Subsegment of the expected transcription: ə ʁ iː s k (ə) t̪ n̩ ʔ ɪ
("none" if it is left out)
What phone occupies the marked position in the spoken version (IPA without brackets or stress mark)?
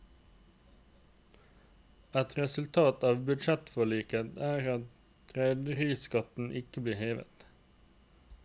ɑ